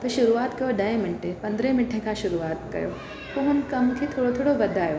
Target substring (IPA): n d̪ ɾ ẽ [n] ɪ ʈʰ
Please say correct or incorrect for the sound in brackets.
incorrect